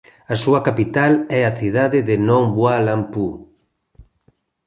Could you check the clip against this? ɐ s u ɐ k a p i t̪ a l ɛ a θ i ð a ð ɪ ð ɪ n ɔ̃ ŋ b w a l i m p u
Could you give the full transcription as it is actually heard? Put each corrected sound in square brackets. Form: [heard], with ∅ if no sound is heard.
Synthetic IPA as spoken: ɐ s u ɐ k a p i t̪ a l ɛ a θ i ð a ð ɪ ð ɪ n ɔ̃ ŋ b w a l [a] m p u